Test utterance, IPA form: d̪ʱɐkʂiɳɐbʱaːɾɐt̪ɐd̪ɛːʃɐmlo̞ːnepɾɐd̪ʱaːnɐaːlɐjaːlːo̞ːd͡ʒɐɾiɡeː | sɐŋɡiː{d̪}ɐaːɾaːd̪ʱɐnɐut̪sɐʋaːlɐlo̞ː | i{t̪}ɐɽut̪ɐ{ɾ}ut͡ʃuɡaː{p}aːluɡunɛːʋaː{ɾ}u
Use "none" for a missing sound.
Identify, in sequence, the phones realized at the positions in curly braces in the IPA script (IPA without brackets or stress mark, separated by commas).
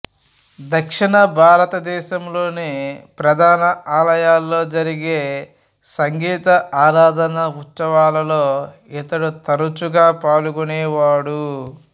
t̪, t̪, ɾ, p, ɽ